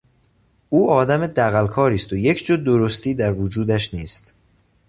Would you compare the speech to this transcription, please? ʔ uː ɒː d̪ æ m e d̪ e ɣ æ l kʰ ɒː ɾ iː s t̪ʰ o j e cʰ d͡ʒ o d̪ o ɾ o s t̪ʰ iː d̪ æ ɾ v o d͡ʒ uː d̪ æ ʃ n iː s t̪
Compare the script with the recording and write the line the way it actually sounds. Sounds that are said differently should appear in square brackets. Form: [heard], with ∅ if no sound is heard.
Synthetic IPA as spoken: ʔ uː ɒː d̪ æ m e d̪ [æ] ɣ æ l kʰ ɒː ɾ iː s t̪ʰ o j e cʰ d͡ʒ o d̪ o ɾ o s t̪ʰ iː d̪ æ ɾ v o d͡ʒ uː d̪ æ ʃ n iː s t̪